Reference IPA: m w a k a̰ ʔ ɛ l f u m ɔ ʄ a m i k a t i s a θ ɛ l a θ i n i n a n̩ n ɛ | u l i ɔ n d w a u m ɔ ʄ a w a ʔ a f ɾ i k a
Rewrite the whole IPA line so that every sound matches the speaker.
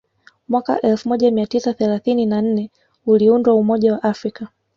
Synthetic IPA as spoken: m w a k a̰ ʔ ɛ l f u m ɔ ʄ a m i a t i s a θ ɛ l a θ i n i n a n̩ n ɛ | u l i u n d w a u m ɔ ʄ a w a ʔ a f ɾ i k a